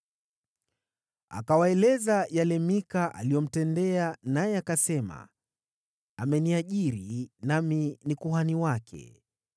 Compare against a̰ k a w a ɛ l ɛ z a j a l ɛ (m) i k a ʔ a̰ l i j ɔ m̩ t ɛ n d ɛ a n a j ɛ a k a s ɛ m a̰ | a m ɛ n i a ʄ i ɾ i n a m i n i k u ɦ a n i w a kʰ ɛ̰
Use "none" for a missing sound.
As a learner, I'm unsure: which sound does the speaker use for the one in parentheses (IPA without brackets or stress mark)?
m